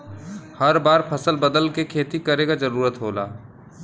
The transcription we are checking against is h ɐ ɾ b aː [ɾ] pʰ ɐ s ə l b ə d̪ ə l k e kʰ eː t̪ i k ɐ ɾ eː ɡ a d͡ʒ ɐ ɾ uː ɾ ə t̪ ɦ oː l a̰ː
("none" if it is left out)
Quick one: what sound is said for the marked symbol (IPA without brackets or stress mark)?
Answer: ɾ